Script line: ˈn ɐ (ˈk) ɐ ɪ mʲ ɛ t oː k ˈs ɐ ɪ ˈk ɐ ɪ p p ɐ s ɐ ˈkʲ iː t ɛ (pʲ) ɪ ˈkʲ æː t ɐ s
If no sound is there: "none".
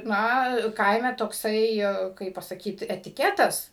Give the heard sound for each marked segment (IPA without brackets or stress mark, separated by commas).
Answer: k, tʲ